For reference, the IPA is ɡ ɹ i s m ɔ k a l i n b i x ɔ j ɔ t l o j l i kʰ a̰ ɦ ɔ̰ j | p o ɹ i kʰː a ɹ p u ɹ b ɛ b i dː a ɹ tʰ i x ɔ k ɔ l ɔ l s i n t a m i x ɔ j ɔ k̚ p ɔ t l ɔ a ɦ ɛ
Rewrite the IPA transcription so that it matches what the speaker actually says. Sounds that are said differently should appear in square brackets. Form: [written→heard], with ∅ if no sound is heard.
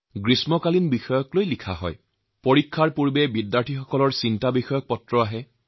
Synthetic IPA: ɡ ɹ i s m ɔ k a l i n b i x ɔ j ɔ [t→k] l o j l i kʰ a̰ ɦ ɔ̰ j | p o ɹ i kʰː a ɹ p u ɹ b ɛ b i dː a ɹ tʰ i x ɔ k ɔ l ɔ [l→ɹ] s i n t a [m→b] i x ɔ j ɔ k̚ p ɔ t [l→ɹ] ɔ a ɦ ɛ